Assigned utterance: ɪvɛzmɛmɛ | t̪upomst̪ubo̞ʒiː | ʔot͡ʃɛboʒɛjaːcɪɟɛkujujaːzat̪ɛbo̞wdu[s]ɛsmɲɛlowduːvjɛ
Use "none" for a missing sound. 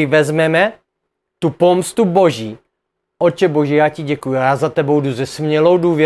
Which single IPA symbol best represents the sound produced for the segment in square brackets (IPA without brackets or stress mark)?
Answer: z